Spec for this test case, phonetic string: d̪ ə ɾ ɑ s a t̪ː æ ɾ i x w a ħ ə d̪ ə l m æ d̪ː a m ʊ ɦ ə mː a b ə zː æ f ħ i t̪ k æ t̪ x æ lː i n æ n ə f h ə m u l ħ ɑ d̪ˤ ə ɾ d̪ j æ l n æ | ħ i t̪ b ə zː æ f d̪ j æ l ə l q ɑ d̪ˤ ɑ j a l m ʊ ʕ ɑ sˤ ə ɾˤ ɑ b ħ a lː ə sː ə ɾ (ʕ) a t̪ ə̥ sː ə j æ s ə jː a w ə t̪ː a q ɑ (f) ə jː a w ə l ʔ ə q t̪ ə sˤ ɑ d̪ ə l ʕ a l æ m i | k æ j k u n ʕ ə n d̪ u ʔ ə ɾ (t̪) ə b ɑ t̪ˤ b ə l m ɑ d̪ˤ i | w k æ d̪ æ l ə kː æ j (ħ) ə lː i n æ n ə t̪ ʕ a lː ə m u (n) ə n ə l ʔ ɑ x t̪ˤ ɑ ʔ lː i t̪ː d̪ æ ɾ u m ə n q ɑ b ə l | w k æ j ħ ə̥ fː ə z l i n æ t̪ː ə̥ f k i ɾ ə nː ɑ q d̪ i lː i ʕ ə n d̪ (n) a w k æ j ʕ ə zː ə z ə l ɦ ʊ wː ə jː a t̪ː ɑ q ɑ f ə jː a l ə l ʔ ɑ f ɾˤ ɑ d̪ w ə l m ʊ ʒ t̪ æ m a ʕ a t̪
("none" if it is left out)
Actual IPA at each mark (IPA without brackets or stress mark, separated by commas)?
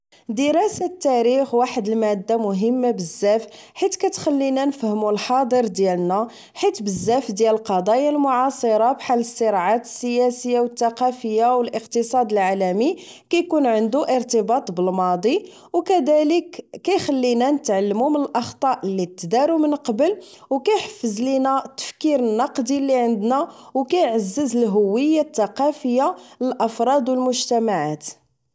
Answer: ʕ, f, t̪, x, m, n